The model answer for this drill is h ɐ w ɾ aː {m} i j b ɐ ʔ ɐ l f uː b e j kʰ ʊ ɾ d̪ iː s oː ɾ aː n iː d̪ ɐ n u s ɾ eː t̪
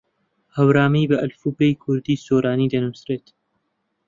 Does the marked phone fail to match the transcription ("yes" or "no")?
no